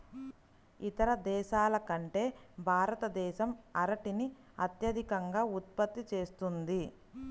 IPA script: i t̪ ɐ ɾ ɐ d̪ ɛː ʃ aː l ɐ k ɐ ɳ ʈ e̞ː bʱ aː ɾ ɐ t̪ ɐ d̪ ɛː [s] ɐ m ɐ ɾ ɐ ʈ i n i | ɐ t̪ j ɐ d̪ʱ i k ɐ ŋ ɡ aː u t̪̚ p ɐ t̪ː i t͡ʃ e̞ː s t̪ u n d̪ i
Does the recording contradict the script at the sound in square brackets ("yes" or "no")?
yes